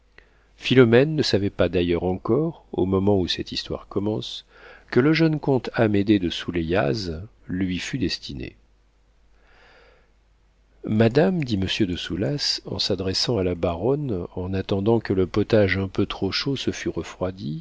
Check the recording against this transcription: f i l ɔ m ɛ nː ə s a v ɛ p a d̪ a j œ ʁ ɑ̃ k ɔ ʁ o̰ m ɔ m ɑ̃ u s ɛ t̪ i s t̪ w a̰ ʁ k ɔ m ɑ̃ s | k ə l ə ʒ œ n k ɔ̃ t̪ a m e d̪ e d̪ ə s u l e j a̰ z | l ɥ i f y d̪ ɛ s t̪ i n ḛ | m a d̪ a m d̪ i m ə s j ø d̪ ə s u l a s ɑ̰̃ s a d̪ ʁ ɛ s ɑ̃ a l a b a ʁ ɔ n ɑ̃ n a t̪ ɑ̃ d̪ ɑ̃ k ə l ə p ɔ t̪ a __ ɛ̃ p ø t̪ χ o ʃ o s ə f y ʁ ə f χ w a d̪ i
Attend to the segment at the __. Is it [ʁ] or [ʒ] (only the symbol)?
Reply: ʒ